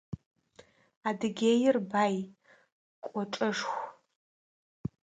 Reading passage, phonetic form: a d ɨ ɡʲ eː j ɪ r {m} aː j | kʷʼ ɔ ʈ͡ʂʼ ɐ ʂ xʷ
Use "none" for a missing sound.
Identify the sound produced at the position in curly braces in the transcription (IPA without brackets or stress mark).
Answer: b